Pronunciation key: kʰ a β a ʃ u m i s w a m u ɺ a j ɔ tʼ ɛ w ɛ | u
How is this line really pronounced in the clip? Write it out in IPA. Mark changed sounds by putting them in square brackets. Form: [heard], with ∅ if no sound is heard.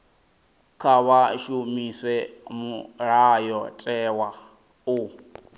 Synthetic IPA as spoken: kʰ a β a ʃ u m i s w [ɛ] m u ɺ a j ɔ tʼ ɛ w [a] | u